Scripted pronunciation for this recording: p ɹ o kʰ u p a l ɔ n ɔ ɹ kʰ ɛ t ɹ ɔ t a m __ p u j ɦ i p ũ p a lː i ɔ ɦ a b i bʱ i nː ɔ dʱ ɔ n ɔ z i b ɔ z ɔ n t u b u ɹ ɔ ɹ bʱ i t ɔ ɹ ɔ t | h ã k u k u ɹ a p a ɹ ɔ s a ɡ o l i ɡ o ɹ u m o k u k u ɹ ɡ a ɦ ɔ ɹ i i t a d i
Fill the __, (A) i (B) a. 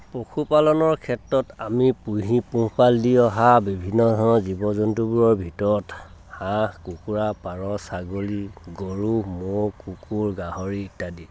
A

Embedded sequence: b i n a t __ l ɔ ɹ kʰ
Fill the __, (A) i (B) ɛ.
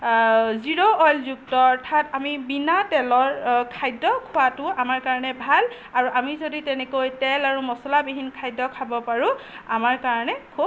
B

